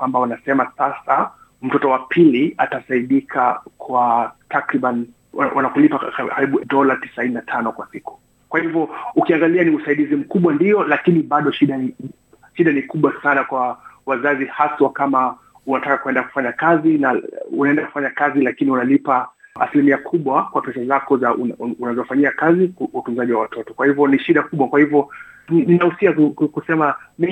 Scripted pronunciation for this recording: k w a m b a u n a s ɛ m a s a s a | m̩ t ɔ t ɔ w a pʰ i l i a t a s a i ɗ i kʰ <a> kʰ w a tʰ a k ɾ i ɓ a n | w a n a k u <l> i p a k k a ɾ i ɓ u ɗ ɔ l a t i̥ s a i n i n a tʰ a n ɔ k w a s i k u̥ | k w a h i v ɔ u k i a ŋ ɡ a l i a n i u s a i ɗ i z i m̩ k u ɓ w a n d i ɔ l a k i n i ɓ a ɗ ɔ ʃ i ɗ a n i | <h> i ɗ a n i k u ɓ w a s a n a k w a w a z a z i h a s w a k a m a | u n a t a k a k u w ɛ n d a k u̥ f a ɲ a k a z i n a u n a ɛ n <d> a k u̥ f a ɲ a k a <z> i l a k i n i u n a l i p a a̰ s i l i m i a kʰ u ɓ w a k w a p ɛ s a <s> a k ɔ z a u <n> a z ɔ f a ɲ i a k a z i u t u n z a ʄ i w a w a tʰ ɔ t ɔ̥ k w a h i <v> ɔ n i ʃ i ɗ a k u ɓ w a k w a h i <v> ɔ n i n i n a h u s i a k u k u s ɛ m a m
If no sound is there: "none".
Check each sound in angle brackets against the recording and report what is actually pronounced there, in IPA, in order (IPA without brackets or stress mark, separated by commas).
a, l, ʃ, d, z, z, n, v, v